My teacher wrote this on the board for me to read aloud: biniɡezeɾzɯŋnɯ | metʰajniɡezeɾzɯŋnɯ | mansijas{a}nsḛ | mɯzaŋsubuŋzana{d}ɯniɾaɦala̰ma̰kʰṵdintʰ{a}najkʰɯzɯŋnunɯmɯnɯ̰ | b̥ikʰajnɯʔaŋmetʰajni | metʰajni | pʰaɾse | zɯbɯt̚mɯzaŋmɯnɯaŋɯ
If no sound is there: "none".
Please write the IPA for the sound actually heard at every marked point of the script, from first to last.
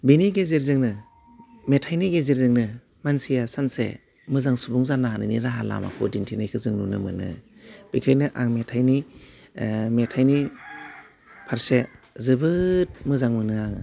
a, n, i

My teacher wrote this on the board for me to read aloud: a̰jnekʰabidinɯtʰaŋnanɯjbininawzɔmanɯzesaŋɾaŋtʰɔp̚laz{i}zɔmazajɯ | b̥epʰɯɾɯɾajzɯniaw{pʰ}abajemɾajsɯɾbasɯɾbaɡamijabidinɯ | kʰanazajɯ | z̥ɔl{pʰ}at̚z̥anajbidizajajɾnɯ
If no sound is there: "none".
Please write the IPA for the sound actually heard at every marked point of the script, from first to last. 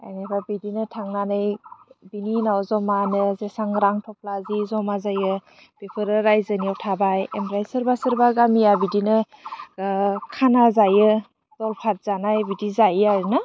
i, tʰ, pʰ

